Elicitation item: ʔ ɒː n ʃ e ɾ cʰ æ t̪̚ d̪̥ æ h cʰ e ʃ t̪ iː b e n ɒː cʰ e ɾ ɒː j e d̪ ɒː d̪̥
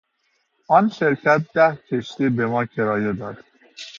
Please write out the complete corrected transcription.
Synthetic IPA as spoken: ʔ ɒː n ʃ e ɾ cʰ æ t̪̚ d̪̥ æ h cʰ e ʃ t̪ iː b e m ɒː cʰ e ɾ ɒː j e d̪ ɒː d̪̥